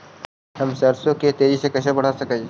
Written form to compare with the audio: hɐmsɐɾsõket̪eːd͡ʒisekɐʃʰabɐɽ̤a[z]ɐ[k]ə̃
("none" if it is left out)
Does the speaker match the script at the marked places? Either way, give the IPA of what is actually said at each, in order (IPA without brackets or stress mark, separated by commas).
s, k